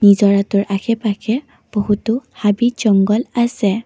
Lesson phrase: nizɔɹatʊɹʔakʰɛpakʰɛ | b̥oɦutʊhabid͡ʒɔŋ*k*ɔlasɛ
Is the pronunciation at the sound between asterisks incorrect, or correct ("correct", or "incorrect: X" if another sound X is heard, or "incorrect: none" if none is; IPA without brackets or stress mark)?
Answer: incorrect: ɡ